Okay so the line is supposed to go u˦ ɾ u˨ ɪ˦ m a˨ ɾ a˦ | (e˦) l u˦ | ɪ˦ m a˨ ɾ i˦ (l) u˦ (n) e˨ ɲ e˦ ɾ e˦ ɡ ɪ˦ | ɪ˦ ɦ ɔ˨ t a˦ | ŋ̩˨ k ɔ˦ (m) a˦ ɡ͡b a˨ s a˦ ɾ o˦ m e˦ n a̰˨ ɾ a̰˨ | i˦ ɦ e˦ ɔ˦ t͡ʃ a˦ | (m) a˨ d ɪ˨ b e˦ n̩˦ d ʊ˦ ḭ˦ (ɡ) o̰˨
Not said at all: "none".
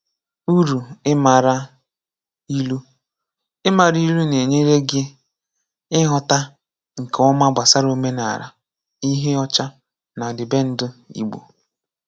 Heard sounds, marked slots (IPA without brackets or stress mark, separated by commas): i˦, l, n, m, n, ɡ͡b